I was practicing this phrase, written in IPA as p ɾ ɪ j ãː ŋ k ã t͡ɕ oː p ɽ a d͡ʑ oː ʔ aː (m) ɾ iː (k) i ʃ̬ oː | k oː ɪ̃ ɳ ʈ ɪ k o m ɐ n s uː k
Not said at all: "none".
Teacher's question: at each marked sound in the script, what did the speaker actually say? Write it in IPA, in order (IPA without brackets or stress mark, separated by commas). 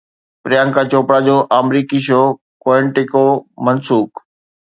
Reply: m, k